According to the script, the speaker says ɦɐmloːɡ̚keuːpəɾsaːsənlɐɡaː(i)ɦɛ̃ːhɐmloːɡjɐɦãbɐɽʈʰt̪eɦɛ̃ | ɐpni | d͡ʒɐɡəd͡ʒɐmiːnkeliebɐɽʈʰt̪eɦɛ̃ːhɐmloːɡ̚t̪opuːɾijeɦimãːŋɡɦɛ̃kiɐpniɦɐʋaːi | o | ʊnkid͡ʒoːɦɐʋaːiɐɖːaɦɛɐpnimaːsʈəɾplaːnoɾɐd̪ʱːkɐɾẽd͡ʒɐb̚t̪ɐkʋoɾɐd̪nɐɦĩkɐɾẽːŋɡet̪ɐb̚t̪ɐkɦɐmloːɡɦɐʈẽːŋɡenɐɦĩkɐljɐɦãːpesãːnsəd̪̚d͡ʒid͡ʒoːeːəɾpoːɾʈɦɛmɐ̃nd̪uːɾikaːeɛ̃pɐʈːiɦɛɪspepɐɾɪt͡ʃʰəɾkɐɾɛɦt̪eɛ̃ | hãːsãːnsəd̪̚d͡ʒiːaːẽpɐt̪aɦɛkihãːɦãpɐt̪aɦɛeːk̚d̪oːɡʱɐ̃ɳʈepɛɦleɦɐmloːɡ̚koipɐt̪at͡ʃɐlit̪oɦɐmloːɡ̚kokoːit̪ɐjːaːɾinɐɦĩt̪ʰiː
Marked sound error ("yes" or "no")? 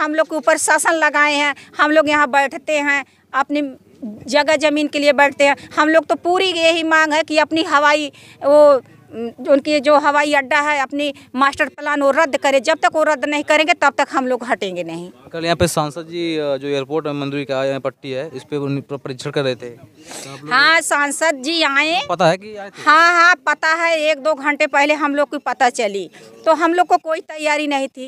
yes